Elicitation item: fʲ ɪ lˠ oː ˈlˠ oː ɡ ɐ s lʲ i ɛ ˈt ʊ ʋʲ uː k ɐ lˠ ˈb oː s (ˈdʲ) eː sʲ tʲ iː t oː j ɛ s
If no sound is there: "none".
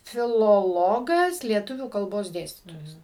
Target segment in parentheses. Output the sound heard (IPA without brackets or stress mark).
dʲ